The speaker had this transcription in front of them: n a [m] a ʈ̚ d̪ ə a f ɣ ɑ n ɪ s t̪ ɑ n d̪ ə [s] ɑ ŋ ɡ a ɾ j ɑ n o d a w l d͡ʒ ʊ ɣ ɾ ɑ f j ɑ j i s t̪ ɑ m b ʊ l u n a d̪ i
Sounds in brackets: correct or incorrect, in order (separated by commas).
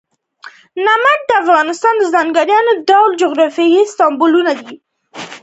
correct, incorrect